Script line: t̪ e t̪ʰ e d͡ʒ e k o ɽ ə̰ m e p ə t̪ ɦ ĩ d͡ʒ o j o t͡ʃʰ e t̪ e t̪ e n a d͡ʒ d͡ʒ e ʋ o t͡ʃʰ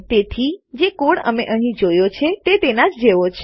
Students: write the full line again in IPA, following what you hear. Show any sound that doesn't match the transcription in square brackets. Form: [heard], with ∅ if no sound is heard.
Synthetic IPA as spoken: t̪ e t̪ʰ [i] d͡ʒ e k o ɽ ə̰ m e [ʔ] ə [∅] ɦ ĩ d͡ʒ o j o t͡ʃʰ e t̪ e t̪ e n a d͡ʒ d͡ʒ e ʋ o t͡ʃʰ